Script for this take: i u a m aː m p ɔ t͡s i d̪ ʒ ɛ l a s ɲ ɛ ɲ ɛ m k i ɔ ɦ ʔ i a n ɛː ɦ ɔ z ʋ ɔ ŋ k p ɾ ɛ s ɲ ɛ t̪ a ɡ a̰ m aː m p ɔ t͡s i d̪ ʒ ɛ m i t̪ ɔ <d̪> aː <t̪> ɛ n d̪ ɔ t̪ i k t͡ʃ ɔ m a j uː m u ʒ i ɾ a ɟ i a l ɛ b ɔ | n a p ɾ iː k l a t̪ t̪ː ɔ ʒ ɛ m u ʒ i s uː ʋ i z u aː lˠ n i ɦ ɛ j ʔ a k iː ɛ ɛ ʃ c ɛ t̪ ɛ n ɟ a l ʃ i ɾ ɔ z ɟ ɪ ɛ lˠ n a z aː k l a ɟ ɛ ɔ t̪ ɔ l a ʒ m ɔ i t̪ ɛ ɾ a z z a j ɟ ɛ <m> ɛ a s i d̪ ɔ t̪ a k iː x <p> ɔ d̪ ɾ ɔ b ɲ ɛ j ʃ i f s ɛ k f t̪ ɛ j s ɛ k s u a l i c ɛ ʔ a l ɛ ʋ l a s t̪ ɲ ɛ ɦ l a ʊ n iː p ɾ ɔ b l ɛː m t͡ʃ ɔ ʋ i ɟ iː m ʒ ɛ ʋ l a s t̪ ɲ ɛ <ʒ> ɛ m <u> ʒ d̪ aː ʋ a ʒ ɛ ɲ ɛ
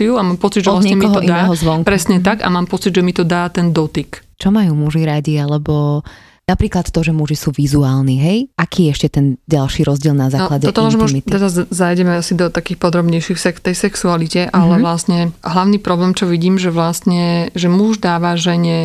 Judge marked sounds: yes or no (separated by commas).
yes, yes, yes, yes, yes, yes